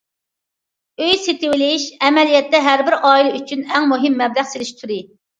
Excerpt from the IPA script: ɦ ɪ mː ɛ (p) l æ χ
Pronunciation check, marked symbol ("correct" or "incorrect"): incorrect